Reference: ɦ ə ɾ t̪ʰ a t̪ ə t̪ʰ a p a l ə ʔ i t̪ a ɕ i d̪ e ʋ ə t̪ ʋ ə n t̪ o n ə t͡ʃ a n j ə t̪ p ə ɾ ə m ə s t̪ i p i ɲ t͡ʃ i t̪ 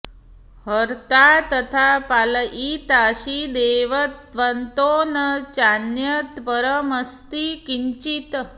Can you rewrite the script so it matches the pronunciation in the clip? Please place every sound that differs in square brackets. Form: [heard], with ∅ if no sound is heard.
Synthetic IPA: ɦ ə ɾ [t̪] a t̪ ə t̪ʰ a p a l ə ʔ i t̪ a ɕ i d̪ e ʋ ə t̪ ʋ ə n t̪ o n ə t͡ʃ a n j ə t̪ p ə ɾ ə m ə s t̪ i [k] i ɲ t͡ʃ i t̪

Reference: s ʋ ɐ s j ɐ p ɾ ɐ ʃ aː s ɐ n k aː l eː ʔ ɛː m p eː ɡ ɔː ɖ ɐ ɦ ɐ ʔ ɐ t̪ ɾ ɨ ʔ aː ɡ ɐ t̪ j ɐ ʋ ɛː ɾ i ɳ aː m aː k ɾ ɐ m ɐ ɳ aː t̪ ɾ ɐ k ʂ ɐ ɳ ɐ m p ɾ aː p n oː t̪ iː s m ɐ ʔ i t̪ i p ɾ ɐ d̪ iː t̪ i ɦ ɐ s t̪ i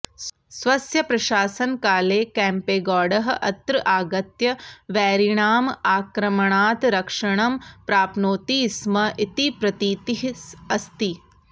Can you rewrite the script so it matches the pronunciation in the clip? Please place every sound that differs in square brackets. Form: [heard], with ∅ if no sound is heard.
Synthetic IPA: s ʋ ɐ s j ɐ p ɾ ɐ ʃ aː s ɐ n k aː l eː [k] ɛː m p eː ɡ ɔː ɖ ɐ ɦ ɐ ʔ ɐ t̪ ɾ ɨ ʔ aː ɡ ɐ t̪ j ɐ ʋ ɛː ɾ i ɳ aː m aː k ɾ ɐ m ɐ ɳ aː t̪ ɾ ɐ k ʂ ɐ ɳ ɐ m p ɾ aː p n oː t̪ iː s m ɐ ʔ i t̪ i p ɾ ɐ [t̪] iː t̪ i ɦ ɐ s t̪ i

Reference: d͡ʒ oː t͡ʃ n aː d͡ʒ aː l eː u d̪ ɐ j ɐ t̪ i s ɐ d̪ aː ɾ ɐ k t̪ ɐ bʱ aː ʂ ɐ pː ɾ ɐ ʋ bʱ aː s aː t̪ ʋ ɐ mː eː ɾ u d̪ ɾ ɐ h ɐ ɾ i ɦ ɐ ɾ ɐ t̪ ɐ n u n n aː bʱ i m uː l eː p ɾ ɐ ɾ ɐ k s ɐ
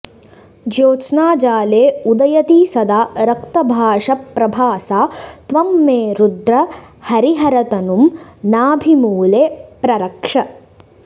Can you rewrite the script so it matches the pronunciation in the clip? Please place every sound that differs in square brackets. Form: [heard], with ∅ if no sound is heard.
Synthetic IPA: d͡ʒ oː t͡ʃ n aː d͡ʒ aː l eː u d̪ ɐ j ɐ t̪ i s ɐ d̪ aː ɾ ɐ k t̪ ɐ bʱ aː ʂ ɐ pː ɾ ɐ [∅] bʱ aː s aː t̪ ʋ ɐ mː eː ɾ u d̪ ɾ ɐ h ɐ ɾ i ɦ ɐ ɾ ɐ t̪ ɐ n u [m] n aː bʱ i m uː l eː p ɾ ɐ ɾ ɐ k [ʂ] ɐ

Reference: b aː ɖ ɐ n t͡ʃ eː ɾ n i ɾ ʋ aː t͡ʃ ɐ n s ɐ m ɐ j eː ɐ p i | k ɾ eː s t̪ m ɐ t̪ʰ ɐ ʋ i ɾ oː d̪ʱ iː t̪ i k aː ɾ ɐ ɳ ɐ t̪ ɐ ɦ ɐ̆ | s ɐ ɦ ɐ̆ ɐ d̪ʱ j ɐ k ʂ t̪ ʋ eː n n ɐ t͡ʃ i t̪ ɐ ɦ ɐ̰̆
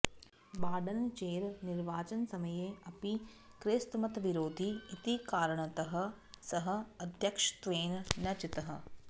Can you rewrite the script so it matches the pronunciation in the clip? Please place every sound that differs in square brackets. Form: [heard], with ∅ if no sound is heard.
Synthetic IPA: b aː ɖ ɐ n t͡ʃ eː ɾ n i ɾ ʋ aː t͡ʃ ɐ n s ɐ m ɐ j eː ɐ p i | k ɾ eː s t̪ m ɐ [t̪] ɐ ʋ i ɾ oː d̪ʱ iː t̪ i k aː ɾ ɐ ɳ ɐ t̪ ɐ ɦ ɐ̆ | s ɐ ɦ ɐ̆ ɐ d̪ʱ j ɐ k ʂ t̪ ʋ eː n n ɐ t͡ʃ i t̪ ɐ ɦ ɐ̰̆

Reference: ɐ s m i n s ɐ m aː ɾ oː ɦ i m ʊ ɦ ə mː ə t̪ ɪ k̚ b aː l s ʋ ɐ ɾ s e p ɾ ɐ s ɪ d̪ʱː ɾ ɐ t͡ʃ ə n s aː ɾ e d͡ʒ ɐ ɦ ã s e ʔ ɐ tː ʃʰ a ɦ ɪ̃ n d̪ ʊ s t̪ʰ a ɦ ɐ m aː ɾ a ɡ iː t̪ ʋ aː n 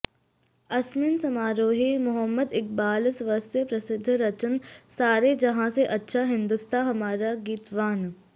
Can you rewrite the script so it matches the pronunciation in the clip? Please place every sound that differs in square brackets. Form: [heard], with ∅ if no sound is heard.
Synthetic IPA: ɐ s m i n s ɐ m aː ɾ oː ɦ i m ʊ ɦ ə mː ə [d̪] ɪ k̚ b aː l s ʋ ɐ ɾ s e p ɾ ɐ s ɪ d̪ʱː ɾ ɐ t͡ʃ ə n s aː ɾ e d͡ʒ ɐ ɦ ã s e ʔ ɐ tː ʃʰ a ɦ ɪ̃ n d̪ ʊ s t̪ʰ a ɦ ɐ m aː ɾ a ɡ iː t̪ ʋ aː n

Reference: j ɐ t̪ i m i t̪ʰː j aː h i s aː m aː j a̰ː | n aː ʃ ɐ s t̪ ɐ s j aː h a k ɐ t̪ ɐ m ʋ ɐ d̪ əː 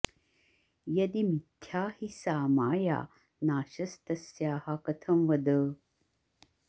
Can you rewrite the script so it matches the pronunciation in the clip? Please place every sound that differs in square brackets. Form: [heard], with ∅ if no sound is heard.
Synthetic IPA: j ɐ [d̪] i m i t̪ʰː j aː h i s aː m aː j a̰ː | n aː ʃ ɐ s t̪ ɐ s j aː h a k ɐ [t̪ʰ] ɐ m ʋ ɐ d̪ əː

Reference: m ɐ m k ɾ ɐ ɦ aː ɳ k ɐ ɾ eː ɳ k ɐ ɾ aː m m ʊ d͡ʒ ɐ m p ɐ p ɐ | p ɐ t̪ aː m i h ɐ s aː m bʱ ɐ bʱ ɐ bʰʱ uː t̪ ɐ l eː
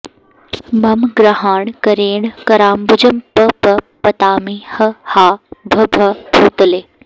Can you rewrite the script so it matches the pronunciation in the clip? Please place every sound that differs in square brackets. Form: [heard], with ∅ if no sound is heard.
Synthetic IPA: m ɐ m [ɡ] ɾ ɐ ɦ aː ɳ k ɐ ɾ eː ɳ k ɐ ɾ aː m [b] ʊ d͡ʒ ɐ m p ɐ p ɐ | p ɐ t̪ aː m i h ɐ [h] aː [∅] bʱ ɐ bʱ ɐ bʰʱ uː t̪ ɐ l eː

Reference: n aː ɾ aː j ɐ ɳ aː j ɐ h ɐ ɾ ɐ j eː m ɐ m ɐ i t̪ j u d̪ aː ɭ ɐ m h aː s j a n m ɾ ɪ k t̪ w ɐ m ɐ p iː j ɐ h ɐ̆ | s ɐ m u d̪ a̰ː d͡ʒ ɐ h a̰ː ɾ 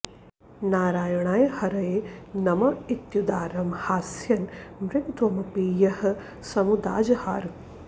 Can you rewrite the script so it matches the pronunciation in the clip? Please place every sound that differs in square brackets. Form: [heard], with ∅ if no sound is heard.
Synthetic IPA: n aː ɾ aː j ɐ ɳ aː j ɐ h ɐ ɾ ɐ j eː [n] ɐ m ɐ i t̪ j u d̪ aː [ɾ] ɐ m h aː s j [ɐ] n m ɾ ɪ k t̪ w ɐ m ɐ p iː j ɐ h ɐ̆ | s ɐ m u d̪ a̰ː d͡ʒ ɐ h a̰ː ɾ

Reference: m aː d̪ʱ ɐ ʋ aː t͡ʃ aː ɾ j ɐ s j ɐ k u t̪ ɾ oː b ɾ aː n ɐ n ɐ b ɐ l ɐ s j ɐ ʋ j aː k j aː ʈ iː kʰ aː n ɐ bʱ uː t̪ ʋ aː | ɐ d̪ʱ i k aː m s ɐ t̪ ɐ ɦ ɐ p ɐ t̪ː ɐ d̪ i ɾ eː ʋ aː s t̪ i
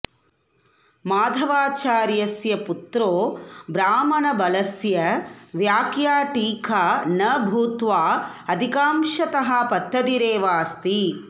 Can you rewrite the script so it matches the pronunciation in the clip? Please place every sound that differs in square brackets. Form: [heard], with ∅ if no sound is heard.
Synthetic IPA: m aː d̪ʱ ɐ ʋ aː t͡ʃ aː ɾ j ɐ s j ɐ [p] u t̪ ɾ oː b ɾ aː [m] ɐ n ɐ b ɐ l ɐ s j ɐ ʋ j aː k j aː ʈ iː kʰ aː n ɐ bʱ uː t̪ ʋ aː | ɐ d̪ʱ i k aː m [ʃ] ɐ t̪ ɐ ɦ ɐ p ɐ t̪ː ɐ d̪ i ɾ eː ʋ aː s t̪ i

